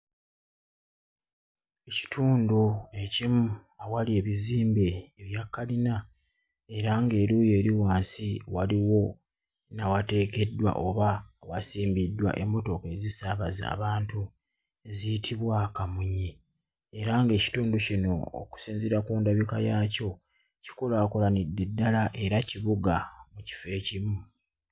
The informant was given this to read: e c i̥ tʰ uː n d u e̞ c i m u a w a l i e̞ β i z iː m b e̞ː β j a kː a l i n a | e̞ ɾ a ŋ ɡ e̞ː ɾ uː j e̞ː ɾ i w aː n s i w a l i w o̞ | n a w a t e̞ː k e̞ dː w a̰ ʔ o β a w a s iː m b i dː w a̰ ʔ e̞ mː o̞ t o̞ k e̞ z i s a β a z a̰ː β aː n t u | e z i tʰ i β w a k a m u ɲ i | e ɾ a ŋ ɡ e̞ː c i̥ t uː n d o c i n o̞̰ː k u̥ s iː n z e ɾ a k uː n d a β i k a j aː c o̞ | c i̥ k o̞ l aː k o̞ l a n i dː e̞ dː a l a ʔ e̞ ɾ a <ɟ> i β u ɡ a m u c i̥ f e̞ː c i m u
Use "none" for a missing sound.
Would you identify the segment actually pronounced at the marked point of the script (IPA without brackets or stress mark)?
c